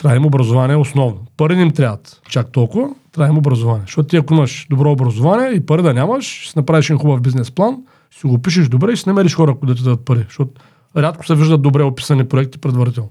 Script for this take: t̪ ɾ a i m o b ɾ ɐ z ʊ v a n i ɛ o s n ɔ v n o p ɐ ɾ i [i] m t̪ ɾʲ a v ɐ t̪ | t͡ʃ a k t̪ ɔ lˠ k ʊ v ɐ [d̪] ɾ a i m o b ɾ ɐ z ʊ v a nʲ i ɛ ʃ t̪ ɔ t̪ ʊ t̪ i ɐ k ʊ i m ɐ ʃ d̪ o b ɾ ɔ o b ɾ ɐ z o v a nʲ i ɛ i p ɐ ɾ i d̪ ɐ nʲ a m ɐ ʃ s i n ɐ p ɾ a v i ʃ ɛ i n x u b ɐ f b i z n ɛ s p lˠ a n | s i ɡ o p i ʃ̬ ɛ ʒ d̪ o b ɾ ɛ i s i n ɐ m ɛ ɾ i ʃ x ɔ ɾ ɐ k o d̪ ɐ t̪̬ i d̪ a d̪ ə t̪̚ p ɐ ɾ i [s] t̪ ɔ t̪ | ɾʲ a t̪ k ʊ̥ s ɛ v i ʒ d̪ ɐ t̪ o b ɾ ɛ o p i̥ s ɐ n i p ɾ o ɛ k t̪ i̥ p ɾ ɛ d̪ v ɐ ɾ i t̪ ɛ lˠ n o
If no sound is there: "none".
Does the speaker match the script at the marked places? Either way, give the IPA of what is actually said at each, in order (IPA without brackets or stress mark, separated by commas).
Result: i, t̪, ʃ